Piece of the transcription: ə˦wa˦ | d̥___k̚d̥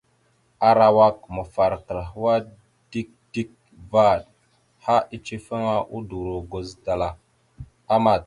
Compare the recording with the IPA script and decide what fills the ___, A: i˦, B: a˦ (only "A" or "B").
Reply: A